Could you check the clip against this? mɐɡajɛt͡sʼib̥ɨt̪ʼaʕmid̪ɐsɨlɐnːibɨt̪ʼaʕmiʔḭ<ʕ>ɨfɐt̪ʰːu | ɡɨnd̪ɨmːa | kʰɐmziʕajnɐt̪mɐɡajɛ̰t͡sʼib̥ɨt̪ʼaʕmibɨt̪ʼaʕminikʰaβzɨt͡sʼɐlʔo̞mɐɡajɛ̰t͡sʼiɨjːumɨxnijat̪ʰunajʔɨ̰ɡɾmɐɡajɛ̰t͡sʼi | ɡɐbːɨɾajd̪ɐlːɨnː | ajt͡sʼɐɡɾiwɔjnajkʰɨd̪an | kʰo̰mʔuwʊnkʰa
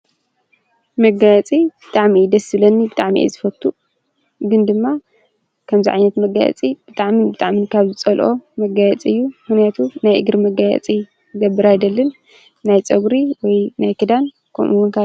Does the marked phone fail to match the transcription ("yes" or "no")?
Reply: yes